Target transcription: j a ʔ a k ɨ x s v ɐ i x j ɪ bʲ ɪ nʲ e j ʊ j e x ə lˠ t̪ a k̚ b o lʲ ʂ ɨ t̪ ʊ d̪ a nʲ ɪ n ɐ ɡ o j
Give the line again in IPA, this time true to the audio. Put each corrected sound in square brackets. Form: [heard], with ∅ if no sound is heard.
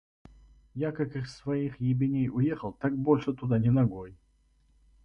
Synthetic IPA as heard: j a [k] a k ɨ x s v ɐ i x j ɪ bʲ ɪ nʲ e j ʊ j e x ə lˠ t̪ a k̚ b o lʲ ʂ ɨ t̪ ʊ d̪ a nʲ ɪ n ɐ ɡ o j